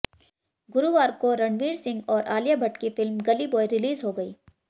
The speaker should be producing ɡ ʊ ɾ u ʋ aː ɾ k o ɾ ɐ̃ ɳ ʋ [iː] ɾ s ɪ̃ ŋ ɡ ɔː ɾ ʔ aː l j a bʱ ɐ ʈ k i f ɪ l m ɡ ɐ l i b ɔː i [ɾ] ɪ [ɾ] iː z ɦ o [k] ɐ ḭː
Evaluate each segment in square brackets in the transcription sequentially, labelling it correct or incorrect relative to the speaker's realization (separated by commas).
correct, correct, incorrect, incorrect